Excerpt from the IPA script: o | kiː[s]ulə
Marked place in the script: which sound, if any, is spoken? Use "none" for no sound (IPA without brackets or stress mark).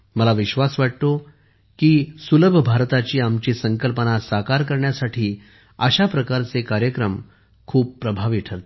s